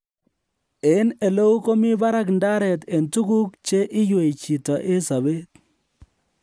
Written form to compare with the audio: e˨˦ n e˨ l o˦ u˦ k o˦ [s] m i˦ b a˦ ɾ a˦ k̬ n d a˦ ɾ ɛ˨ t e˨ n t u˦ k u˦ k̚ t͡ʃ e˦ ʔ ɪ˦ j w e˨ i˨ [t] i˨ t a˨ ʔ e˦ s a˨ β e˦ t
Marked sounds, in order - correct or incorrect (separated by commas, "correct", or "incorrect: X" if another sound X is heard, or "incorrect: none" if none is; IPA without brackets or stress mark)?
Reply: incorrect: none, incorrect: t͡ʃ